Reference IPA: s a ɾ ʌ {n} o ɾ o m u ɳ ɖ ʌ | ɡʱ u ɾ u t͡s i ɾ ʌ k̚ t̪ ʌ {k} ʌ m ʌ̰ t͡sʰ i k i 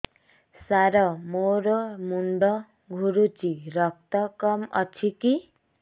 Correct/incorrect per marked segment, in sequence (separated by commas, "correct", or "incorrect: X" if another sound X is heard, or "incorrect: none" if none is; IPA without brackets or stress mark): incorrect: m, correct